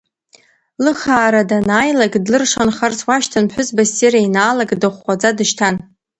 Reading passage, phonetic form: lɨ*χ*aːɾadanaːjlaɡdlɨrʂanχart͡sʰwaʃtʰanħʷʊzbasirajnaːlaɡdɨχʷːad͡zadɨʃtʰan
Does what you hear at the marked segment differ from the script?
no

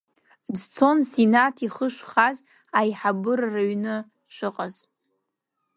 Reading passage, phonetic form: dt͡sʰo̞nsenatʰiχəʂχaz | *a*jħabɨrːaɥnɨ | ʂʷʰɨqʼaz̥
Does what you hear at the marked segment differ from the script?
no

